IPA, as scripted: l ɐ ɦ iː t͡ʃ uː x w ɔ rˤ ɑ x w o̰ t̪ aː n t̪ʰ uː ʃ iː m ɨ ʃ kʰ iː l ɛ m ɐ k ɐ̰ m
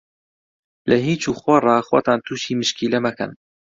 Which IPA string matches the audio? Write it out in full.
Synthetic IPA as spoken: l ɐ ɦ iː t͡ʃ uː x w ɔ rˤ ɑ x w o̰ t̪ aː n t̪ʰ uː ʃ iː m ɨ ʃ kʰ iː l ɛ m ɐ k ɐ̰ n